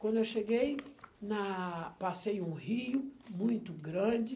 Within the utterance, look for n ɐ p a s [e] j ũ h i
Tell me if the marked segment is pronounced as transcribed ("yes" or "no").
yes